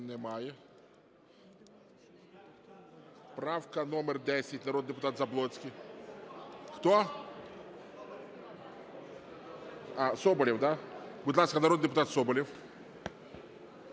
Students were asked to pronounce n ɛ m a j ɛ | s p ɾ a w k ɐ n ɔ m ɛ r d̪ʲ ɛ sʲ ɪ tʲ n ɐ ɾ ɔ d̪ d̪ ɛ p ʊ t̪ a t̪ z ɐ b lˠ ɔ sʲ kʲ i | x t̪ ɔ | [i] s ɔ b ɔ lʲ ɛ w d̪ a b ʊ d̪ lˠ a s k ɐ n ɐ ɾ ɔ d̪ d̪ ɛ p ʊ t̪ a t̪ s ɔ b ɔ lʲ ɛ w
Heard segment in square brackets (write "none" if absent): a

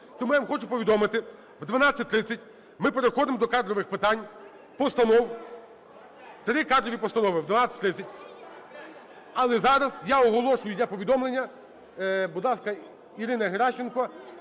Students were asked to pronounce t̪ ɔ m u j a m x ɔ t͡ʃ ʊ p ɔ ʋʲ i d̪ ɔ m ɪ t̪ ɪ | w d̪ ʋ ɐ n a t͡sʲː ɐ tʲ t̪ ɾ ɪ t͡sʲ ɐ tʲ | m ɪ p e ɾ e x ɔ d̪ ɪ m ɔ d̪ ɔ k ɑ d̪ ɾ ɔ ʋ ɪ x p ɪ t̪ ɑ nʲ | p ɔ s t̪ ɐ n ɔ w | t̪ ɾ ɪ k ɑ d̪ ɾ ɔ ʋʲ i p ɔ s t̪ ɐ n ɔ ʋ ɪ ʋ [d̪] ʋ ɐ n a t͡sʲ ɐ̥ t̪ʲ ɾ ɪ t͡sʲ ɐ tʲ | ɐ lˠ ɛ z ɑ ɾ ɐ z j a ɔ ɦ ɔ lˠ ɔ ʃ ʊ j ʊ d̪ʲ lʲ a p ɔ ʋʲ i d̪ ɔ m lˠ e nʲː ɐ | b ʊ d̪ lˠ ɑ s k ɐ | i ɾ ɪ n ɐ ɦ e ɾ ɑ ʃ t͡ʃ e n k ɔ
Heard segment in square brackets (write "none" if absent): d̪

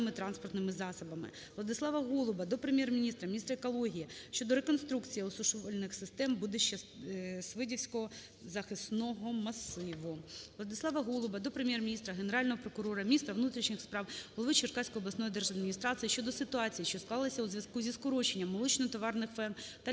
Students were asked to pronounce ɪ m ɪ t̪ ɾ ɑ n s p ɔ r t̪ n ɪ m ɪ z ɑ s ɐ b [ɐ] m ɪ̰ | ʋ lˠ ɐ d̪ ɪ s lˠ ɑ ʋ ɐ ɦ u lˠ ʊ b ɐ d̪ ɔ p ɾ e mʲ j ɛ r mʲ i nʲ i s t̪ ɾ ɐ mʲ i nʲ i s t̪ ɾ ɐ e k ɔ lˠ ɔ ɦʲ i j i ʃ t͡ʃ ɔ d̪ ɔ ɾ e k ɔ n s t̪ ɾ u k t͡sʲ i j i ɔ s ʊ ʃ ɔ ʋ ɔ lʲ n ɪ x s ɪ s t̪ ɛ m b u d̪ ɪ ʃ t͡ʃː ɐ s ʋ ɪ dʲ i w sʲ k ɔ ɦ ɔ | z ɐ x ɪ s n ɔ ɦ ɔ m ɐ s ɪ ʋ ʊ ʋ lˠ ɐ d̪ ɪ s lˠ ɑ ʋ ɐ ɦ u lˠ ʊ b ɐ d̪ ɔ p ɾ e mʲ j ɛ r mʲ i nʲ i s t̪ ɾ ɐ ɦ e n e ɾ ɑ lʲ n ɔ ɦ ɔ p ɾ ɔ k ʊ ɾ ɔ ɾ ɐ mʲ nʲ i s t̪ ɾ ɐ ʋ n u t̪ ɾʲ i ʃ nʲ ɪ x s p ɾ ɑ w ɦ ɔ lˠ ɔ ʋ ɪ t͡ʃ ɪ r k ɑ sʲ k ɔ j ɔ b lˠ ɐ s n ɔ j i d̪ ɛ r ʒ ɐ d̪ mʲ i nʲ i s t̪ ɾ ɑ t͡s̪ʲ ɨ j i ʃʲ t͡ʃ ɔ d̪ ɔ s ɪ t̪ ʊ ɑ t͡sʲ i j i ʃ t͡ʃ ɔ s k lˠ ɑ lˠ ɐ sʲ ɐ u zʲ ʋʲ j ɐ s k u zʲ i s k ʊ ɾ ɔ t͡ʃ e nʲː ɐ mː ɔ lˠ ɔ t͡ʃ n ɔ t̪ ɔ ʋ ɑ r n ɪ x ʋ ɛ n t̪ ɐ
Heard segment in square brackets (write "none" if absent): ɐ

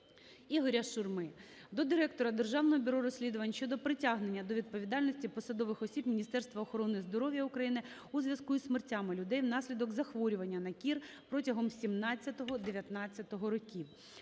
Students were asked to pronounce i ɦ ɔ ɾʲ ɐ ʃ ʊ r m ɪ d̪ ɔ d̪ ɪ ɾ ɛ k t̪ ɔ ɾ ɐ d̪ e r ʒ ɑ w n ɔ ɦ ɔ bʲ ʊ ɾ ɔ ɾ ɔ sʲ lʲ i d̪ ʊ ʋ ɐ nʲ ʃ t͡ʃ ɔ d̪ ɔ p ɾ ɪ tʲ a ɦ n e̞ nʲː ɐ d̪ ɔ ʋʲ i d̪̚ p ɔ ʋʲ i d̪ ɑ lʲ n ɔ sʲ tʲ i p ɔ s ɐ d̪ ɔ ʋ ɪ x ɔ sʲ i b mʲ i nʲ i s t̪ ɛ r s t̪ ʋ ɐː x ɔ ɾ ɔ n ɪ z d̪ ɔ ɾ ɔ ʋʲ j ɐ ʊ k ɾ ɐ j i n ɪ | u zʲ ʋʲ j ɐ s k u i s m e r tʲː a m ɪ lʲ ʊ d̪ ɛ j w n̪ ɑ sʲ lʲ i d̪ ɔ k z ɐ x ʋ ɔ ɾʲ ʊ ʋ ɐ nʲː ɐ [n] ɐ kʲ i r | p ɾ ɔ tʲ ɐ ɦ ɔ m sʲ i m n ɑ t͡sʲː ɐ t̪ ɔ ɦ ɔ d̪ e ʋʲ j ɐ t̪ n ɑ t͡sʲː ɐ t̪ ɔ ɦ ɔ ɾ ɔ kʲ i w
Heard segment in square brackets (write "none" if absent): n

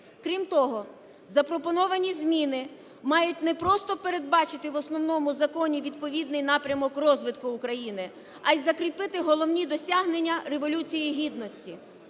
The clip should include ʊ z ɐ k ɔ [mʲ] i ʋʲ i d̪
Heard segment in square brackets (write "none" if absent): nʲ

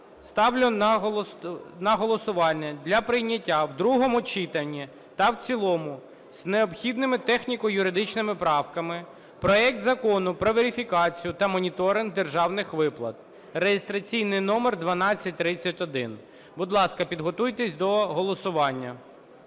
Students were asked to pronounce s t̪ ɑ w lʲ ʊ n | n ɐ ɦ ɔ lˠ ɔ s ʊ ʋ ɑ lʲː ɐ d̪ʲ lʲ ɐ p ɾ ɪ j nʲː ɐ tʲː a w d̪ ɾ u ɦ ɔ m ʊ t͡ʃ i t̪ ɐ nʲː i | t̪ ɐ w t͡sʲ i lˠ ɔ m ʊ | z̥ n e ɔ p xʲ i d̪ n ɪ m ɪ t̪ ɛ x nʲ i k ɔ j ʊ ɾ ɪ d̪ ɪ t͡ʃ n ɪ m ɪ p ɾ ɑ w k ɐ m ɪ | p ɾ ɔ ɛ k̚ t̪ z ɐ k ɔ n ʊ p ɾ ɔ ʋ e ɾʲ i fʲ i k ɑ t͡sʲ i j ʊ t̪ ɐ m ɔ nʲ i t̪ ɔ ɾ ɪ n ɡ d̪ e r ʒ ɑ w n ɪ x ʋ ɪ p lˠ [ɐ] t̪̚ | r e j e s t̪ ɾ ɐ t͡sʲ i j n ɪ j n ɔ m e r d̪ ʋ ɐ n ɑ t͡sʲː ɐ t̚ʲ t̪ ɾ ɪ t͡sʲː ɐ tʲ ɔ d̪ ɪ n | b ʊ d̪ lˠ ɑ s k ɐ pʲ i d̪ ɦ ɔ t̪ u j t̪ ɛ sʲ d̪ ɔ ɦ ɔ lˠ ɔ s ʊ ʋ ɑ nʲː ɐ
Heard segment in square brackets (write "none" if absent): ɐ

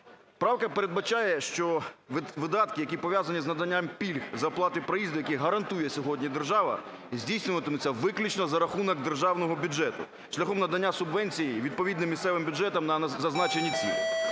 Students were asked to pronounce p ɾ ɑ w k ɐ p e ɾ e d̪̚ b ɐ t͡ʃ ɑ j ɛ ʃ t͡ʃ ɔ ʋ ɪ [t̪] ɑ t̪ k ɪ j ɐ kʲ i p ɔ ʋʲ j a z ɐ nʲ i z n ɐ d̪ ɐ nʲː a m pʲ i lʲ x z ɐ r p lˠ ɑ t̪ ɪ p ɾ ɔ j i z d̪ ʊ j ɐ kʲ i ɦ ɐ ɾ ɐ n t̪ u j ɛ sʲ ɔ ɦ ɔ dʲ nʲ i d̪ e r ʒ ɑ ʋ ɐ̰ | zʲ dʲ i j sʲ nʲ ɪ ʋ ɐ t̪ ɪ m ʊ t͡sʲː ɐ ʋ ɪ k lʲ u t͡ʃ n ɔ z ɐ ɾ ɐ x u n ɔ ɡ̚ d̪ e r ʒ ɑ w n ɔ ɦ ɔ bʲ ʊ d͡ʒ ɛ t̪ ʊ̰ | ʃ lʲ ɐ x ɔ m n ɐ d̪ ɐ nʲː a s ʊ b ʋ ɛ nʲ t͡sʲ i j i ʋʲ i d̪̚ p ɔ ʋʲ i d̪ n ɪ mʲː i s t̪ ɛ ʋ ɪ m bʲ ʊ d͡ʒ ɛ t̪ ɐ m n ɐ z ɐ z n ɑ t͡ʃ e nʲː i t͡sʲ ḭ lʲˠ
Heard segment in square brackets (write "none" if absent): d̪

